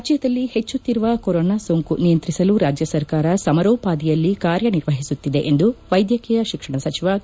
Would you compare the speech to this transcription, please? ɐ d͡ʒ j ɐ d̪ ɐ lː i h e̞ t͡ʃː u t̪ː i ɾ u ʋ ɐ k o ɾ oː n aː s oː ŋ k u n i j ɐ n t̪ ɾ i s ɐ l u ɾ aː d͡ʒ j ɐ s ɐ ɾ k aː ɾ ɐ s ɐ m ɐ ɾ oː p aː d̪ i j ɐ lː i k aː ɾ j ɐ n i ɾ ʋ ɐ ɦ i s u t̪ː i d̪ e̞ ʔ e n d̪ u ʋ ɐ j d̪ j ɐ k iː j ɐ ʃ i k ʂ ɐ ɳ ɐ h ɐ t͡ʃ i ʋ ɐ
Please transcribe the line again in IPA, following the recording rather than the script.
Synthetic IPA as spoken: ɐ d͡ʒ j ɐ d̪ ɐ lː i h e̞ t͡ʃː u t̪ː i ɾ u ʋ ɐ k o ɾ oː n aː s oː ŋ k u n i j ɐ n t̪ ɾ i s ɐ l u ɾ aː d͡ʒ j ɐ s ɐ ɾ k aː ɾ ɐ s ɐ m ɐ ɾ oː p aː d̪ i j ɐ lː i k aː ɾ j ɐ n i ɾ ʋ ɐ ɦ i s u t̪ː i d̪ e̞ ʔ e n d̪ u ʋ ɐ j d̪ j ɐ k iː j ɐ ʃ i k ʂ ɐ ɳ ɐ s ɐ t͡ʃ i ʋ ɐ